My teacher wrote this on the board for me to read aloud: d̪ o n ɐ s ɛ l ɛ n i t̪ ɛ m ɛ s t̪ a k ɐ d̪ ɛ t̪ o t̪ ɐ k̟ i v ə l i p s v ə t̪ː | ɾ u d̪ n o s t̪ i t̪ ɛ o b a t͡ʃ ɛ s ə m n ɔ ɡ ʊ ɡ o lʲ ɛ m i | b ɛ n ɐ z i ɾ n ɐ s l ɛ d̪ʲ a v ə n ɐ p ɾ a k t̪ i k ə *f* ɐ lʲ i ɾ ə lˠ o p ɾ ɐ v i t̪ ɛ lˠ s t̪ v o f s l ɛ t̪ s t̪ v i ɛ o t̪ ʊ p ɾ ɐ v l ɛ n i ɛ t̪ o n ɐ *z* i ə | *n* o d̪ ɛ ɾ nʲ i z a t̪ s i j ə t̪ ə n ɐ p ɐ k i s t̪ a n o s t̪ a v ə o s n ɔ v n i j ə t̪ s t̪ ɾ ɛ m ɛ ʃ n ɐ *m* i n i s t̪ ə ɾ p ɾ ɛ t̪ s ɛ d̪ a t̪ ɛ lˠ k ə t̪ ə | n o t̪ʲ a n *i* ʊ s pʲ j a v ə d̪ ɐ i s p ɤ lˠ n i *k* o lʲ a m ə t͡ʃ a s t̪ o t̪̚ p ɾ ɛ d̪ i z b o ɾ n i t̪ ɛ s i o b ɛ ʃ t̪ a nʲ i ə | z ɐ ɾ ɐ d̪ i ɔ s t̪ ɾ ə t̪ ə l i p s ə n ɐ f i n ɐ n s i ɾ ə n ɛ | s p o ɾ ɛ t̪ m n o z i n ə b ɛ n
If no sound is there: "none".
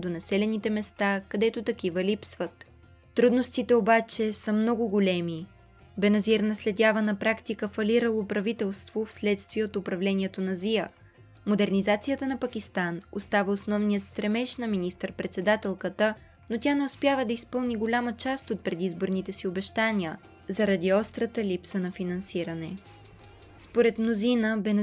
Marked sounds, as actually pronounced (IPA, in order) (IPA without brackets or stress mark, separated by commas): f, z, m, m, ɛ, ɡ